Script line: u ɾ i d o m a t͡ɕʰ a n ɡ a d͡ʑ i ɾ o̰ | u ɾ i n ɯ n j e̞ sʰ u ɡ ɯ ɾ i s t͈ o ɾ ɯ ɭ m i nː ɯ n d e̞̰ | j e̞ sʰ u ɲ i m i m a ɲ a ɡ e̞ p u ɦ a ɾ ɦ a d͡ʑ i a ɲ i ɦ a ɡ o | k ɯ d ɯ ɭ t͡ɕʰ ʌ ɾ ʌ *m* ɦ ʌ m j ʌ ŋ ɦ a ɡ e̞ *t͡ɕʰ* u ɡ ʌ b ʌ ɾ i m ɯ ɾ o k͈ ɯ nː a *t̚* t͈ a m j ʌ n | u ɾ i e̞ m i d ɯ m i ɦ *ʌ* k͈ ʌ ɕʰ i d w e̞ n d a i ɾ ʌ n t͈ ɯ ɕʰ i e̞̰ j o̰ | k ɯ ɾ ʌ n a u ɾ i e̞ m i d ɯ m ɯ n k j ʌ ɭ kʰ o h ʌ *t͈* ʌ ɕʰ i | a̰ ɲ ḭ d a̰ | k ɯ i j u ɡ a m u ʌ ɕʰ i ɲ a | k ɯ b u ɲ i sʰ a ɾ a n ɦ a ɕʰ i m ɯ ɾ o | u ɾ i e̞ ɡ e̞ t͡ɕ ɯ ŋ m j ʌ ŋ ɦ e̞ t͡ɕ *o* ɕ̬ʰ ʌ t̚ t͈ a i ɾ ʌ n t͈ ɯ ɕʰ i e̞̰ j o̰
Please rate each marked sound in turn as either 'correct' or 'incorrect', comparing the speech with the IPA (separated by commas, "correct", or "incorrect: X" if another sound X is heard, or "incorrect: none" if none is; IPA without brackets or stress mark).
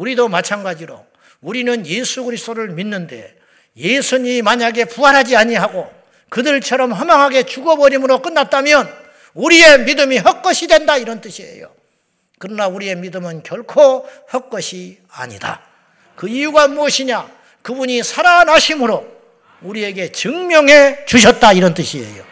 correct, incorrect: t͡ɕ, correct, correct, incorrect: k͈, incorrect: u